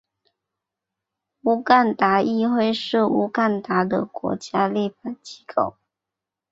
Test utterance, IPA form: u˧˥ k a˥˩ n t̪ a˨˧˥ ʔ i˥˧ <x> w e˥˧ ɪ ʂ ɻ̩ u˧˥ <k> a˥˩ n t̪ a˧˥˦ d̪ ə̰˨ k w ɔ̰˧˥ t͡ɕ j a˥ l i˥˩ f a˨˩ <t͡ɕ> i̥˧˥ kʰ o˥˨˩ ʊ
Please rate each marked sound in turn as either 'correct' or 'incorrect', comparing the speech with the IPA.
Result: correct, correct, correct

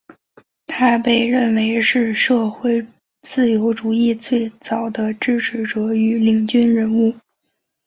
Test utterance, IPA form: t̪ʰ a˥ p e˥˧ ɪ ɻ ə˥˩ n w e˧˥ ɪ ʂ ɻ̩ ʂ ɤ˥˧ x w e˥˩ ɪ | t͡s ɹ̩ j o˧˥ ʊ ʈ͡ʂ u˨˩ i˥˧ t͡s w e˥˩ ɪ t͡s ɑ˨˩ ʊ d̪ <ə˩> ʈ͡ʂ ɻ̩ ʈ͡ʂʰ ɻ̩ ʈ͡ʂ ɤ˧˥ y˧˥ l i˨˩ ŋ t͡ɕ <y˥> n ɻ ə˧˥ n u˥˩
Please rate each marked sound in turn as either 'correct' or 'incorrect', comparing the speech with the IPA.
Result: incorrect: ə˦, correct

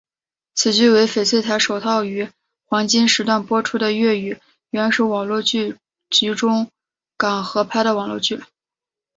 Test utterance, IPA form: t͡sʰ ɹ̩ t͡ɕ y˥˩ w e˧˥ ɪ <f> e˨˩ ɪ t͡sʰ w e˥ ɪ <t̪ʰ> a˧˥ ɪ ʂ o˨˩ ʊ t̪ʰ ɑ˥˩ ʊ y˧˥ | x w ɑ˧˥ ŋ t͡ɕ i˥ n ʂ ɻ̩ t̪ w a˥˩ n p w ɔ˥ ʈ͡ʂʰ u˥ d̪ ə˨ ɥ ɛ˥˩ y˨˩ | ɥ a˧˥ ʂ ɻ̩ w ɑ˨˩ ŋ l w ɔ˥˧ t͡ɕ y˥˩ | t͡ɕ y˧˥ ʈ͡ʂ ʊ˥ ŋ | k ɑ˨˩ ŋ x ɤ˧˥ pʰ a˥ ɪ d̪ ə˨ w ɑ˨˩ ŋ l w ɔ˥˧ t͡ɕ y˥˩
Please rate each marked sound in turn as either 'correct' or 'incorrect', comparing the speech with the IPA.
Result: correct, correct

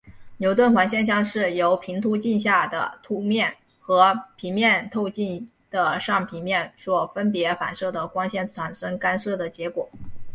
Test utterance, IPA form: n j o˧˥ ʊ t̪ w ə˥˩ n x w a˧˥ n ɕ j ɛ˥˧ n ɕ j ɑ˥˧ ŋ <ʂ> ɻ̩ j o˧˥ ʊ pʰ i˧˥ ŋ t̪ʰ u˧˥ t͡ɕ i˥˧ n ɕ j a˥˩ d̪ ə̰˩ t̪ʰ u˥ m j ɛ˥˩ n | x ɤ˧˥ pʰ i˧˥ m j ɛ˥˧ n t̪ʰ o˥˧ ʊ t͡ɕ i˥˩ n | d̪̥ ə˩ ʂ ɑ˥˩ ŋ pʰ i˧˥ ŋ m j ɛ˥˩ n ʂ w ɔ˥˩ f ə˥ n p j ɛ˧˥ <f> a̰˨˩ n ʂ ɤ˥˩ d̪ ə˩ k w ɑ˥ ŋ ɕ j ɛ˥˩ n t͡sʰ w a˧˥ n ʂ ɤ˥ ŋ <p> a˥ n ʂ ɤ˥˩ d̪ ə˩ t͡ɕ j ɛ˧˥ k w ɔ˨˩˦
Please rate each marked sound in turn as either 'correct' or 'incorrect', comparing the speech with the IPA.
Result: correct, correct, incorrect: k

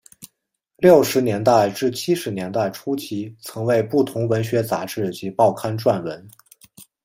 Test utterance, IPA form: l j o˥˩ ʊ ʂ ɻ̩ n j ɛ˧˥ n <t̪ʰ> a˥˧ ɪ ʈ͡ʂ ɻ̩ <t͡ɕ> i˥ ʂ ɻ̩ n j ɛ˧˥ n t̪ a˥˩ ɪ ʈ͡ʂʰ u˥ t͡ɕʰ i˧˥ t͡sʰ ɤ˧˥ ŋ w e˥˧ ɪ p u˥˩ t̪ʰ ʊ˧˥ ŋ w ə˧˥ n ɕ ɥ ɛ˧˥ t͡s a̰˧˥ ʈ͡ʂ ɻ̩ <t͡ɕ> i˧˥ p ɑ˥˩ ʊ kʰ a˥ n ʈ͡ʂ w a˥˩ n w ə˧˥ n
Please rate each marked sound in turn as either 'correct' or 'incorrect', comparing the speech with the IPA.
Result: incorrect: t̪, incorrect: t͡ɕʰ, correct

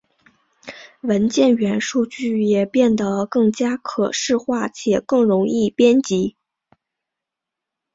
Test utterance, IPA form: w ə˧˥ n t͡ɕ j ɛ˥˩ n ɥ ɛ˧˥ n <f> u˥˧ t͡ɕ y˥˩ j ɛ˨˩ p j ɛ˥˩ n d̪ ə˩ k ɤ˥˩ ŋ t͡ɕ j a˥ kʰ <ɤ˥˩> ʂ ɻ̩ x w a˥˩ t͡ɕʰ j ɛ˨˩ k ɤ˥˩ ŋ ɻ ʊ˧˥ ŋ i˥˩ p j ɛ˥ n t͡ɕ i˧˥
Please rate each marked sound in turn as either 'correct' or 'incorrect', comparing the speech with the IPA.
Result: incorrect: ʂ, incorrect: ɤ˨˩

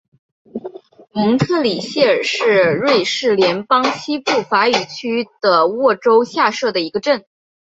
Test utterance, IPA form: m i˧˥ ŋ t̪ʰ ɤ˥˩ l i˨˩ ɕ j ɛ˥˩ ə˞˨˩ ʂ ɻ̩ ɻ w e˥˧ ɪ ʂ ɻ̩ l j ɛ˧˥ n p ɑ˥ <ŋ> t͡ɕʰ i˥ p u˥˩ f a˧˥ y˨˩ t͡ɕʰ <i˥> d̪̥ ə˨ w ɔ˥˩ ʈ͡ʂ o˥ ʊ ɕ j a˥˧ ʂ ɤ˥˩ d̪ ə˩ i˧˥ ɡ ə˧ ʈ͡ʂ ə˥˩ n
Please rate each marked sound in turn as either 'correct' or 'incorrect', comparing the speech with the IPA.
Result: correct, incorrect: y˥

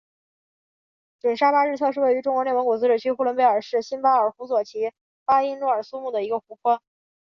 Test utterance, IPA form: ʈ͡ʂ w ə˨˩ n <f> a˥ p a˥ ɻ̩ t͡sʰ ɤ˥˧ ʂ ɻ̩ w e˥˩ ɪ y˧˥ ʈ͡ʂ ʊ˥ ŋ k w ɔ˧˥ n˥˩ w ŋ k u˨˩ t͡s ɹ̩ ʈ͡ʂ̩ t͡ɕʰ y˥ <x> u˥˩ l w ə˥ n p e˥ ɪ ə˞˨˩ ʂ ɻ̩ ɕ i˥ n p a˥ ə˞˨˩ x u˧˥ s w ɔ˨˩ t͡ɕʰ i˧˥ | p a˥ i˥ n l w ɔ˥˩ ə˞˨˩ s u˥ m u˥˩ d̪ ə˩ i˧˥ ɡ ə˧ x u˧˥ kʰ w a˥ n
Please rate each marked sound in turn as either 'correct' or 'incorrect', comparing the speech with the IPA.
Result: incorrect: ʂ, correct

